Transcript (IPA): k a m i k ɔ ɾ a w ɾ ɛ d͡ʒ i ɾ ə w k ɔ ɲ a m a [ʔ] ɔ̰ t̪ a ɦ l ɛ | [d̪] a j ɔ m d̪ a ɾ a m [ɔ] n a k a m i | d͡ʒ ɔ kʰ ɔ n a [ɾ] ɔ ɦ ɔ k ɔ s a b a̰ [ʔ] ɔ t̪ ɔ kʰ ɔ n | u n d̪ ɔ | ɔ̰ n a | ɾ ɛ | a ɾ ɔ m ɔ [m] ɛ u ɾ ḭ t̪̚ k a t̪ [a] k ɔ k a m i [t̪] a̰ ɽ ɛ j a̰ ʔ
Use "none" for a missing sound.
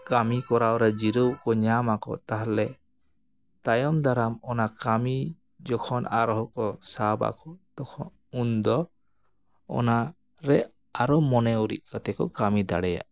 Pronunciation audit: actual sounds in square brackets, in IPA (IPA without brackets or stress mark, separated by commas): k, t̪, ɔ, ɾ, k, n, ɛ, d̪